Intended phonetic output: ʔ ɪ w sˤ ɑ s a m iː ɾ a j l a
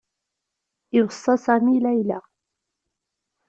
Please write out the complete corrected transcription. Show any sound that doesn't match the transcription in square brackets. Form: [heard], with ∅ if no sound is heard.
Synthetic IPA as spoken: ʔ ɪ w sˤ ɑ s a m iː [l] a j l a